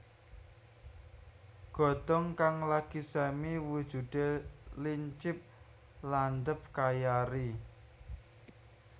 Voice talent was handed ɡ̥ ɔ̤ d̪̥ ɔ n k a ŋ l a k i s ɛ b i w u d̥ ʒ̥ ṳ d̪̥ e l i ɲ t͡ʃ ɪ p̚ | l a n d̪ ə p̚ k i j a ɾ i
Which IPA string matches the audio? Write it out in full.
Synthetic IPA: ɡ̥ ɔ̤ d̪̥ ɔ ŋ k a ŋ l a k i s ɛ m i w u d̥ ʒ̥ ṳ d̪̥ e l i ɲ t͡ʃ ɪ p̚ | l a n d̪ ə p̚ k a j a ɾ i